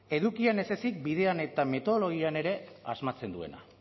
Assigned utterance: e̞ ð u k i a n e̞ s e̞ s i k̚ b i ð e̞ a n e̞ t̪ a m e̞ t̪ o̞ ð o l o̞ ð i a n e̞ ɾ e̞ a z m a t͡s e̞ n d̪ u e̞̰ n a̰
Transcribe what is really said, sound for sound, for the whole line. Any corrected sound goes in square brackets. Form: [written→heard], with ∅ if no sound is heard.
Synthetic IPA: e̞ ð u k i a n e̞ s e̞ s i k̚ b i ð e̞ a n e̞ t̪ a m e̞ t̪ o̞ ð o l o̞ [ð→ɣ] i a n e̞ ɾ e̞ a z m a t͡s e̞ n d̪ u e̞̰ n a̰